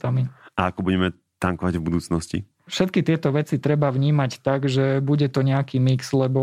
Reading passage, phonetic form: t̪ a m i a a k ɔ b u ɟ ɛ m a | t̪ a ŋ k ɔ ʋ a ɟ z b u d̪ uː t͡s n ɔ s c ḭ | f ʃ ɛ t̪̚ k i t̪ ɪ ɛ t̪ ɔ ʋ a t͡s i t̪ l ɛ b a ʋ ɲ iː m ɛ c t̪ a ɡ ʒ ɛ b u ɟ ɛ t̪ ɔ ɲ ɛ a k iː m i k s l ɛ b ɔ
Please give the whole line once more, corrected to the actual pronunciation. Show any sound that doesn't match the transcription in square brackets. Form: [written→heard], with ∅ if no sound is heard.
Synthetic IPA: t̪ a m i a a k ɔ b u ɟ ɛ m [a→ɛ] | t̪ a ŋ k ɔ ʋ a ɟ [z→v] b u d̪ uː t͡s n ɔ s c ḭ | f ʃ ɛ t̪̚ k i t̪ ɪ ɛ t̪ ɔ ʋ [a→ɛ] t͡s i t̪ [l→ɾ] ɛ b a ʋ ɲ iː m [ɛ→a] c t̪ a ɡ ʒ ɛ b u ɟ ɛ t̪ ɔ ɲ ɛ a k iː m i k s l ɛ b ɔ